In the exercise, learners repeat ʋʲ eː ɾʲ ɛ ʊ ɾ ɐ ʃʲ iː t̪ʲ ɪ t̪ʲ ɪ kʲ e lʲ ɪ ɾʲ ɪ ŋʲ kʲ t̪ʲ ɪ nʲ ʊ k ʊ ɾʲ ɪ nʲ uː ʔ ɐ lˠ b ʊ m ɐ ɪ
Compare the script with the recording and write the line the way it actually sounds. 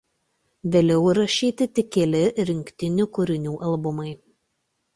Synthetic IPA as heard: ʋʲ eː lʲ ɛ ʊ ɾ ɐ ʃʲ iː t̪ʲ ɪ t̪ʲ ɪ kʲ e lʲ ɪ ɾʲ ɪ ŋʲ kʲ t̪ʲ ɪ nʲ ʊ k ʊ ɾʲ ɪ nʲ uː ʔ ɐ lˠ b ʊ m ɐ ɪ